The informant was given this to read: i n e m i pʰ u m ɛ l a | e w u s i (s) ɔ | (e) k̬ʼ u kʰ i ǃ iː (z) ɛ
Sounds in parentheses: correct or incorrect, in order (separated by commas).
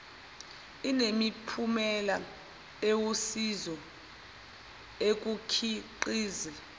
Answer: incorrect, correct, correct